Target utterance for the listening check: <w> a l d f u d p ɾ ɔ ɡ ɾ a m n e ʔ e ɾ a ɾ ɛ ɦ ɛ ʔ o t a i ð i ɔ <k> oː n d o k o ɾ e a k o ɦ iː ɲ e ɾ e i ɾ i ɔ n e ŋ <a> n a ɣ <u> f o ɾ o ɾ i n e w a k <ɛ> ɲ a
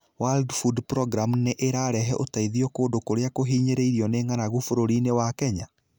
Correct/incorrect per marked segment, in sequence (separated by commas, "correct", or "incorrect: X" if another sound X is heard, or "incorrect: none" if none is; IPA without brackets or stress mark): correct, correct, correct, correct, correct